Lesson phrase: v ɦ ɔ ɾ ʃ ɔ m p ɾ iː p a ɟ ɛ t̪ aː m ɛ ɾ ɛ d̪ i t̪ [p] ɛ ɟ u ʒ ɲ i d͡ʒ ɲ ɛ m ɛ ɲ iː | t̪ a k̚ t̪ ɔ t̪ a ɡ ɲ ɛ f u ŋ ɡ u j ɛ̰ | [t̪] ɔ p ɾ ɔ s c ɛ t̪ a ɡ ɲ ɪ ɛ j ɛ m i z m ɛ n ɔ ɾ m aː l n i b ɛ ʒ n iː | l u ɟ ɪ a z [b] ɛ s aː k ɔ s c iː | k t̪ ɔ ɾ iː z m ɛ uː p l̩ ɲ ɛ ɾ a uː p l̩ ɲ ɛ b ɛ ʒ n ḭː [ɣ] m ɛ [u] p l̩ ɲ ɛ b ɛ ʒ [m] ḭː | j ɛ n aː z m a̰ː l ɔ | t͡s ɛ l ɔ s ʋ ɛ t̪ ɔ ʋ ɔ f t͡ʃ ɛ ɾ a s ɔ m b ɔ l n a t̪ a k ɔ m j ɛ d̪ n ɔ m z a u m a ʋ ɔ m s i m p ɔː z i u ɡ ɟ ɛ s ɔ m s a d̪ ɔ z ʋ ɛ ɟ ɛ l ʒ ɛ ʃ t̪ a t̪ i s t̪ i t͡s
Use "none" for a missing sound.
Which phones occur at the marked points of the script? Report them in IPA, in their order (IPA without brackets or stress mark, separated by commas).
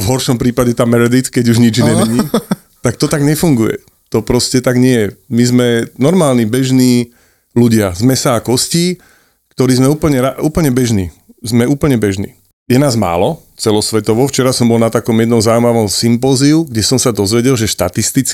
k, t̪, m, z, uː, n